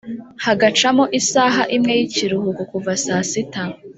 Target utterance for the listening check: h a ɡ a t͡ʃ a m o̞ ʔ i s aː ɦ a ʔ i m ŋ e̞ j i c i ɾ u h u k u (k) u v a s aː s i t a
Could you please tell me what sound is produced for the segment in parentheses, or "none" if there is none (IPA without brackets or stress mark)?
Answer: k